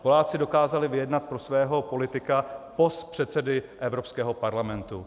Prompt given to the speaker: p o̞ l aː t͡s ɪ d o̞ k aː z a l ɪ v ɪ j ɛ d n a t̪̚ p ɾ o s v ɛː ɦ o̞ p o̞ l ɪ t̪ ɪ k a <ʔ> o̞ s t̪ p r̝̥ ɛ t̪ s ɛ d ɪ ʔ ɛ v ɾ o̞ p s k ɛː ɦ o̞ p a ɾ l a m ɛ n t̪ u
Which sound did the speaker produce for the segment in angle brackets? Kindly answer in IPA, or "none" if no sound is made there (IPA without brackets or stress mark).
p